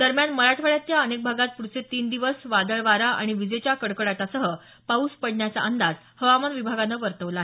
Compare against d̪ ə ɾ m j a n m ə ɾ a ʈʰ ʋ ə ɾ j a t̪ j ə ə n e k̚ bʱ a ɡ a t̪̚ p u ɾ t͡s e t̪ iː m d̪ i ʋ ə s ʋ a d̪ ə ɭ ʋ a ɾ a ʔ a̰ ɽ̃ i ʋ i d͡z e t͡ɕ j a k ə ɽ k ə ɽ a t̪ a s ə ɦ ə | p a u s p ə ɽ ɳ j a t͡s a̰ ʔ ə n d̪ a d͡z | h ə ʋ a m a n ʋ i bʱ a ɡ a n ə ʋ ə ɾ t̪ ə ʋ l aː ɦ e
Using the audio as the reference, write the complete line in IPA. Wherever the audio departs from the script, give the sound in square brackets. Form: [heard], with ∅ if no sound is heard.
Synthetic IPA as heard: d̪ ə ɾ m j a n m ə ɾ a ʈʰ ʋ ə [ɭ] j a t̪ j [a] ə n e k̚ bʱ a ɡ a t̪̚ p u ɾ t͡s e t̪ iː [n] d̪ i ʋ ə s ʋ a d̪ ə ɭ ʋ a ɾ a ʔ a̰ ɽ̃ i ʋ i d͡z e t͡ɕ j a k ə ɽ k ə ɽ a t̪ a s ə ɦ ə | p a u s p ə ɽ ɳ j a t͡s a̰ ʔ ə n d̪ a d͡z | h ə ʋ a m a n ʋ i bʱ a ɡ a n ə ʋ ə ɾ t̪ ə ʋ l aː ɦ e

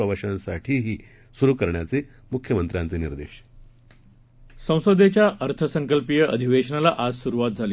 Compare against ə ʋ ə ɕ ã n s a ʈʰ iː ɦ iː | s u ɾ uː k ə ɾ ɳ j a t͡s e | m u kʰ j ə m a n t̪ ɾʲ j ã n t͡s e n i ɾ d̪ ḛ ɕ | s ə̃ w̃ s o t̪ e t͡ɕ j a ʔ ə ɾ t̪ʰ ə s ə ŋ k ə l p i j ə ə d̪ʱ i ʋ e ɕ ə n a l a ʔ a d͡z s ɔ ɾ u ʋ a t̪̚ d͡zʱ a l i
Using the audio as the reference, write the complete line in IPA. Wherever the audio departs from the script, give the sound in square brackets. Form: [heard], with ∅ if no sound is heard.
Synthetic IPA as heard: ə ʋ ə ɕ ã n s a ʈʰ iː ɦ iː | s u ɾ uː k ə ɾ ɳ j a t͡s e | m u kʰ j ə m [ə] n t̪ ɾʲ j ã n t͡s e n i ɾ d̪ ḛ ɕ | s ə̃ w̃ s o [d̪] e t͡ɕ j a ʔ ə ɾ t̪ʰ ə s ə ŋ k ə l p i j ə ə d̪ʱ i ʋ e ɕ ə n a l a ʔ a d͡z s [u] ɾ u ʋ a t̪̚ d͡zʱ a l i

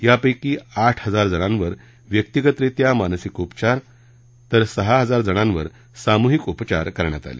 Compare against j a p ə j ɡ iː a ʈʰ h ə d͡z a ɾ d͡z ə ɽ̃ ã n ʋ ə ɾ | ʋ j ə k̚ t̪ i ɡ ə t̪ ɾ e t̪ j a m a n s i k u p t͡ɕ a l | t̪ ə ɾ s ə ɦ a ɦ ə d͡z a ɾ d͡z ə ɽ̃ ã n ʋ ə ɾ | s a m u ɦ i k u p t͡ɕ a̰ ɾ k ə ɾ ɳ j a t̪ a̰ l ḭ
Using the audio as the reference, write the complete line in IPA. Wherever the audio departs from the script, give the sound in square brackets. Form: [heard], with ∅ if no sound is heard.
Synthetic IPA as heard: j a p ə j [k] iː a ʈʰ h ə d͡z a ɾ d͡z ə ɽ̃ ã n ʋ ə ɾ | ʋ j ə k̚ t̪ i ɡ ə t̪ ɾ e t̪ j a m a n s i k u p t͡ɕ a [ɾ] | t̪ ə ɾ s ə ɦ a ɦ ə d͡z a ɾ d͡z ə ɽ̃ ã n ʋ ə ɾ | s a m u ɦ i k u p t͡ɕ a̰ ɾ k ə ɾ ɳ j a t̪ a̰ l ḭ

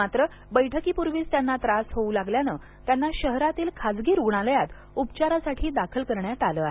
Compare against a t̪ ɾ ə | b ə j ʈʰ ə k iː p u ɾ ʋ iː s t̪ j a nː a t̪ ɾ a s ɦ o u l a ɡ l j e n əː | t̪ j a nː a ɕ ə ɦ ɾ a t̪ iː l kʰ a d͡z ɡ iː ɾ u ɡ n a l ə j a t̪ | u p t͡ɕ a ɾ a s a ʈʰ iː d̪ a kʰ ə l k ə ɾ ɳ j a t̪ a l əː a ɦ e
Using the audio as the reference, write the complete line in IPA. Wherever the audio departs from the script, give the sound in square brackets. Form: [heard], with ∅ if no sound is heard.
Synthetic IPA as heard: a t̪ ɾ ə | b ə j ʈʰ ə k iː p u ɾ ʋ iː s t̪ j a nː a t̪ ɾ a s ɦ o u l a ɡ l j [a] n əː | t̪ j a nː a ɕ ə ɦ ɾ a t̪ iː l kʰ a d͡z ɡ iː ɾ u ɡ [ɳ] a l ə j a t̪ | u p t͡ɕ a ɾ a s a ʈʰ iː d̪ a kʰ ə l k ə ɾ ɳ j a t̪ a l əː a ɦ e

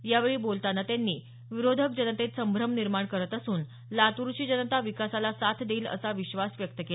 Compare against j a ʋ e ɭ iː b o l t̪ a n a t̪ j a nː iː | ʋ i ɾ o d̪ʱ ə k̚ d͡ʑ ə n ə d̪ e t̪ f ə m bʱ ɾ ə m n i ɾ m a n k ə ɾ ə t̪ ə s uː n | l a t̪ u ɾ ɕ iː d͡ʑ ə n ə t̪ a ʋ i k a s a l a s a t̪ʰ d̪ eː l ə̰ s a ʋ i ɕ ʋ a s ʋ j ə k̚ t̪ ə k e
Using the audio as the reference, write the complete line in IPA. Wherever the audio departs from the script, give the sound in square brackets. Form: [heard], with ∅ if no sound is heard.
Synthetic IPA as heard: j a ʋ e ɭ iː b o l t̪ a n a t̪ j a nː iː | ʋ i ɾ o d̪ʱ ə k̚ d͡ʑ ə n ə [t̪] e t̪ [s] ə m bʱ ɾ ə m n i ɾ m a [ɳ] k ə ɾ ə t̪ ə s uː n | l a t̪ u ɾ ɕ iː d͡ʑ ə n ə t̪ a ʋ i k a s a l a s a t̪ʰ d̪ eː l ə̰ s a ʋ i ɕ ʋ a s ʋ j ə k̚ t̪ ə k e

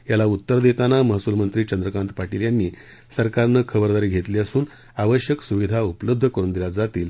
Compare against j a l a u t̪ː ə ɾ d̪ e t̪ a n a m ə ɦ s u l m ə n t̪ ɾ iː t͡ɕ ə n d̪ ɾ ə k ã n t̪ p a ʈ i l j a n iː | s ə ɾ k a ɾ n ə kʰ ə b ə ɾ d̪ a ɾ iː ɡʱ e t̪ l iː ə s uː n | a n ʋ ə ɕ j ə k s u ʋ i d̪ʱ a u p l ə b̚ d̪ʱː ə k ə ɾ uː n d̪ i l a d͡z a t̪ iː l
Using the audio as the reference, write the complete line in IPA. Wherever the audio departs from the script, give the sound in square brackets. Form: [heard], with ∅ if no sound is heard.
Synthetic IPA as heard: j a l a u t̪ː ə ɾ d̪ e t̪ a n a m ə ɦ s u l m ə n t̪ ɾ iː t͡ɕ ə n d̪ ɾ ə k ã n t̪ p a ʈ i l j a [nː] iː | s ə ɾ k a ɾ n ə kʰ ə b ə ɾ d̪ a ɾ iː ɡʱ e t̪ l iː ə s uː n | a [∅] ʋ ə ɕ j ə k s u ʋ i d̪ʱ a u p l ə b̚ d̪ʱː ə k ə ɾ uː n d̪ i l a d͡z a t̪ iː l

